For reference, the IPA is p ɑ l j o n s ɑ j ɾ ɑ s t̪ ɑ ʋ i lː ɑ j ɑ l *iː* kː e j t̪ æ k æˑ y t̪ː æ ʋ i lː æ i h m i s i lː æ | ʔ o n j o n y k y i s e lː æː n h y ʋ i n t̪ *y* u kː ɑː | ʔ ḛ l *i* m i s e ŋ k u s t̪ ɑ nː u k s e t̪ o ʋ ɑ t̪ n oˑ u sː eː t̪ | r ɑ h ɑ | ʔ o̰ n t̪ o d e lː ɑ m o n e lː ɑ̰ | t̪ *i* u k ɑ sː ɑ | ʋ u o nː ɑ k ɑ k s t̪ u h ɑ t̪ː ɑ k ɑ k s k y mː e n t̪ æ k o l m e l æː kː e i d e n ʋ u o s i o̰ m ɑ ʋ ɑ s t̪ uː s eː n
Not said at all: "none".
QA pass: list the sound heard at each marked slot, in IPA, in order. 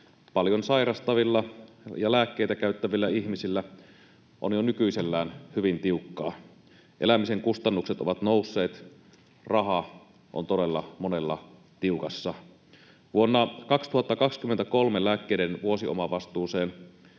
æː, i, æ, i

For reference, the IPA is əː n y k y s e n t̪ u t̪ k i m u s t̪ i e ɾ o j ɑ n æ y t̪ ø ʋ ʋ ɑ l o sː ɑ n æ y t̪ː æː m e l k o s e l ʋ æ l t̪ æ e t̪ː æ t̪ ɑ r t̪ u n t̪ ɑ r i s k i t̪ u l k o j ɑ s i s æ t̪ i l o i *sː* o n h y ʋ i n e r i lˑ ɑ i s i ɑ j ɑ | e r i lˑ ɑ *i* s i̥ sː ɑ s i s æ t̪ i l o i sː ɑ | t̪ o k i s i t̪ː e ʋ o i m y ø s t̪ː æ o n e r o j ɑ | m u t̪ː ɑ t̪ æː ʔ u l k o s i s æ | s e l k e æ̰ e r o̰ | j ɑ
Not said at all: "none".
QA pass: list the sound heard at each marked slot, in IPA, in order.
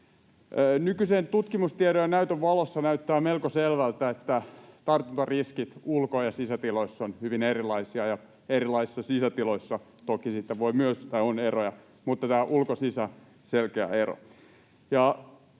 sː, i

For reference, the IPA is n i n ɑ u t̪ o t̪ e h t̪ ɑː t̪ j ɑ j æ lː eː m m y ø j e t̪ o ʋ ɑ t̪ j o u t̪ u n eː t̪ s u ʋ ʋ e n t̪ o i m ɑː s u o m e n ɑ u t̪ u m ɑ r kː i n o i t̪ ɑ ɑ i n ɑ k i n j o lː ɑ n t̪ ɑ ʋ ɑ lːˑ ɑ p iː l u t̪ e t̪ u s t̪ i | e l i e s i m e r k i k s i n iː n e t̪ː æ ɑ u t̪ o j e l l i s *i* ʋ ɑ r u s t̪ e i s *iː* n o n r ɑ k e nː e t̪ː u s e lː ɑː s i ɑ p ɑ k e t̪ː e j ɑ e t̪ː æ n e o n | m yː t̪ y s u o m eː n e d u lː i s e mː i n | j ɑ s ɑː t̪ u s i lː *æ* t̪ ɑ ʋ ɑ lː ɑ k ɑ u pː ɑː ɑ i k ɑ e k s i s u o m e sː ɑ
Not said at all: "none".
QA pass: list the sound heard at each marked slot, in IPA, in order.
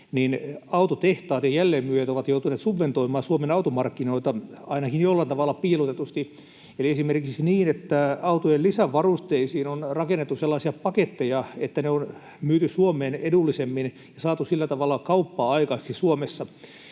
æ, iː, æ

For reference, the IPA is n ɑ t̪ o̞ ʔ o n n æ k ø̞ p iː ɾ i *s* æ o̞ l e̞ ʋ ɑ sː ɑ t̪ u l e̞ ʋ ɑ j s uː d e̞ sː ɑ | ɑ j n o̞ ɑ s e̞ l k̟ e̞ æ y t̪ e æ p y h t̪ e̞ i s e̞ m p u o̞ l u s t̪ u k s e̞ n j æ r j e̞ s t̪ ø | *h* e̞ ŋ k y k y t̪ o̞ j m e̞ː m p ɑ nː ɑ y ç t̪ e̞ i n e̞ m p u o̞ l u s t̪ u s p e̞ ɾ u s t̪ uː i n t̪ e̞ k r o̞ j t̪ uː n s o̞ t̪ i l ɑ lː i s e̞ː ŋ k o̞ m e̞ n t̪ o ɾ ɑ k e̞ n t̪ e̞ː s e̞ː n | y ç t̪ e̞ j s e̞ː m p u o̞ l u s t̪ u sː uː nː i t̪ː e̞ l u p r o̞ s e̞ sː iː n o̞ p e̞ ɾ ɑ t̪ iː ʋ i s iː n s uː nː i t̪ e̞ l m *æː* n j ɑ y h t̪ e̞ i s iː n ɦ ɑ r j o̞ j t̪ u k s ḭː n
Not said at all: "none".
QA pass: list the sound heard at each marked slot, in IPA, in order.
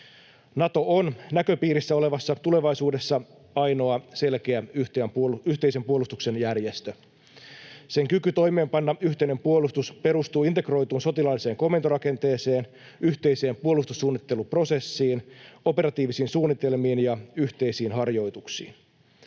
sː, s, iː

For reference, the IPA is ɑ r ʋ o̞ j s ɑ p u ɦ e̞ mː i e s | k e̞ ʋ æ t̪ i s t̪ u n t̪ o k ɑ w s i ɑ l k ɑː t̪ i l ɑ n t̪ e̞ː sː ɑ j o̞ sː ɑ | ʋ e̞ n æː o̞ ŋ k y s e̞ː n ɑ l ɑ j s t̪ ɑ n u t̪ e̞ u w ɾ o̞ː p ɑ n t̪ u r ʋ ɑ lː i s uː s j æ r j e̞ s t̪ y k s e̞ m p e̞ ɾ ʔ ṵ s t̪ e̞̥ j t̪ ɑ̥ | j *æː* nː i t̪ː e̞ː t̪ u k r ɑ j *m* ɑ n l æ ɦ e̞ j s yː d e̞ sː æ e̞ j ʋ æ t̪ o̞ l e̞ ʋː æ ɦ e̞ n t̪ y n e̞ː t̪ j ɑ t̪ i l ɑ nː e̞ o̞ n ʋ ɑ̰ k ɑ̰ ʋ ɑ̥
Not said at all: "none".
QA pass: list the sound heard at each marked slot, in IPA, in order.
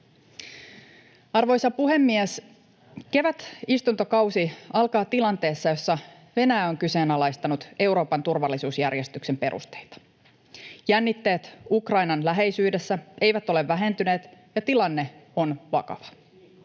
æ, n

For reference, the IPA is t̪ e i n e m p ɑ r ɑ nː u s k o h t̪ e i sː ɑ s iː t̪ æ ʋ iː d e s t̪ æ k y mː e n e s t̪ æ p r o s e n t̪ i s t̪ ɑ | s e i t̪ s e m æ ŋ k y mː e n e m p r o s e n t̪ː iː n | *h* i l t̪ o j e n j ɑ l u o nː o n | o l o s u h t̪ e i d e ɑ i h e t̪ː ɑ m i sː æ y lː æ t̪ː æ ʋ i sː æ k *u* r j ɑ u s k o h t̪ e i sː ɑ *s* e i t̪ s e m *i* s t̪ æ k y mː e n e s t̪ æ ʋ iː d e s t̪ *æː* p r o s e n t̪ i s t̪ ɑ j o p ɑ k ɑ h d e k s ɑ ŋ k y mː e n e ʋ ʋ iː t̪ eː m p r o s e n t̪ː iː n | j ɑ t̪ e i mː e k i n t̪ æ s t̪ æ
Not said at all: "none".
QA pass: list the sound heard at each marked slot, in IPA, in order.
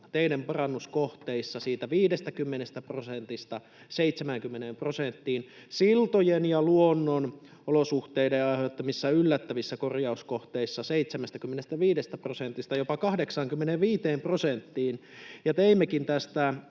s, o, s, æ, æ

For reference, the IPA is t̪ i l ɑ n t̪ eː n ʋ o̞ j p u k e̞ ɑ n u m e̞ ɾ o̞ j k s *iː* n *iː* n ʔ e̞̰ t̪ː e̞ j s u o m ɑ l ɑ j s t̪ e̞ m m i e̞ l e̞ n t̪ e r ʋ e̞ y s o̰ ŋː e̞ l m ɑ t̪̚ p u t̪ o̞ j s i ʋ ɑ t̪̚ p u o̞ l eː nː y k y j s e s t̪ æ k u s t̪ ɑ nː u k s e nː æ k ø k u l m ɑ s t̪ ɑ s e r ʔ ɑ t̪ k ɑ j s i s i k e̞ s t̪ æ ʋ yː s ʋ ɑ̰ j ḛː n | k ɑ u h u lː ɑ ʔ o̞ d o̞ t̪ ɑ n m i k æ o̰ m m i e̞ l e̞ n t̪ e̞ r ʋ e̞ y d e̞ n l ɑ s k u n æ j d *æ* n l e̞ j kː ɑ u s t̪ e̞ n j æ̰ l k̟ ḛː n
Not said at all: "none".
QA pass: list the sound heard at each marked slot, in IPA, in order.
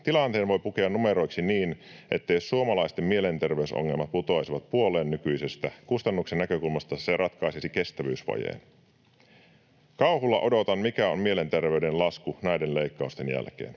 i, iː, e

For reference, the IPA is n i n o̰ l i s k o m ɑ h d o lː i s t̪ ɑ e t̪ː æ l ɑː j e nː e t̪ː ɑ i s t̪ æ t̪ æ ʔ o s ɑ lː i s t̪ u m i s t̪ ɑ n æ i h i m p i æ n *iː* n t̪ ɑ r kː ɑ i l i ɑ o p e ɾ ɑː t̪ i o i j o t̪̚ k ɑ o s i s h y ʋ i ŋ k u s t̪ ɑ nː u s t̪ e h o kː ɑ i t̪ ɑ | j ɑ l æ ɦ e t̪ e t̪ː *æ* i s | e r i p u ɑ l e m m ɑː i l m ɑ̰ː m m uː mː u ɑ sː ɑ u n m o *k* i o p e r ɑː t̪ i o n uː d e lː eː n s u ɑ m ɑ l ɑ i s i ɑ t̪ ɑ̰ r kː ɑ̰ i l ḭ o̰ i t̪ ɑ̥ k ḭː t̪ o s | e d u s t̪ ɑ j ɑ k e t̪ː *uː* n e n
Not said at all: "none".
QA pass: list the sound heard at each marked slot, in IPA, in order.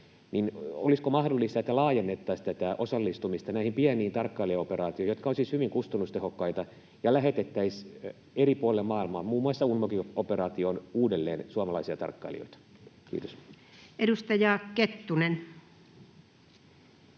iː, æ, k, u

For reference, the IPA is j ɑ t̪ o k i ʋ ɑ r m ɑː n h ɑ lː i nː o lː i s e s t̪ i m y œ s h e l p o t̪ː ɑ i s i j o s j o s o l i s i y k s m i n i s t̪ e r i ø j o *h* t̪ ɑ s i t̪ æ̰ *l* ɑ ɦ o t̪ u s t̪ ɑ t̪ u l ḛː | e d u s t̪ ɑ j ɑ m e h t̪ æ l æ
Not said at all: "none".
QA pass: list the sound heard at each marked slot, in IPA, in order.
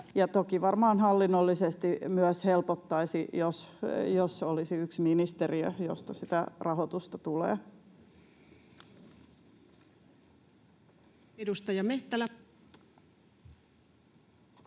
s, r

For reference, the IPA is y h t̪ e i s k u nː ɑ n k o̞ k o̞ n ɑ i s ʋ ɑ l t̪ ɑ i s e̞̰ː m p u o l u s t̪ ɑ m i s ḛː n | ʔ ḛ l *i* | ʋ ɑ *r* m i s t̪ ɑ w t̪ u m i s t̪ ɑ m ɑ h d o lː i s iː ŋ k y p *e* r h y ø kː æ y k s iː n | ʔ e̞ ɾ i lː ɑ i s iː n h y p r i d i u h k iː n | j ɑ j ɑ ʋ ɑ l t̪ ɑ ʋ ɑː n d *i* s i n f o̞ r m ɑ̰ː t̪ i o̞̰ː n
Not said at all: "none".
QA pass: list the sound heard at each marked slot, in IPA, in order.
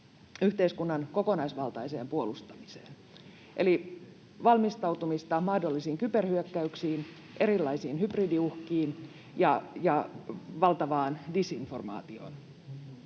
i, l, e, i

